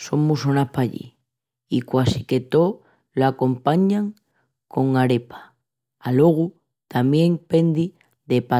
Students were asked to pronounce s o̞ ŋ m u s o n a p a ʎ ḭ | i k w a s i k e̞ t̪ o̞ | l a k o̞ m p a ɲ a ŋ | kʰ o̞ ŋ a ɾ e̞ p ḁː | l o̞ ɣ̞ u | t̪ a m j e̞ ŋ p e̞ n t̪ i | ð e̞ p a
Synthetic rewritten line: s o̞ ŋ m u s o n a p a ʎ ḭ | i k w a s i k e̞ t̪ o̞ | l a k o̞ m p a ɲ a ŋ | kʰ o̞ ŋ a ɾ e̞ p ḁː | l o̞ ɣ̞ u | t̪ a m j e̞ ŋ p e̞ n d̪ i | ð e̞ p a